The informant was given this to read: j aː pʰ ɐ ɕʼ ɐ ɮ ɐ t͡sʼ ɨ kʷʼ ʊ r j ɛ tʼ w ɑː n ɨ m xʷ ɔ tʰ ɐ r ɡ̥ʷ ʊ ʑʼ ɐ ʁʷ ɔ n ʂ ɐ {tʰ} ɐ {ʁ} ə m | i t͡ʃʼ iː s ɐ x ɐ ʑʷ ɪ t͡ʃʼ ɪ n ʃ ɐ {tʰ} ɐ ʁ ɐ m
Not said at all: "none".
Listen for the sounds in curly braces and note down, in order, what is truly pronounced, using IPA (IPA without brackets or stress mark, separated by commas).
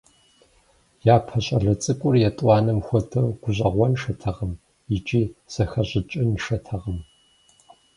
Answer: tʰ, ʁ, tʰ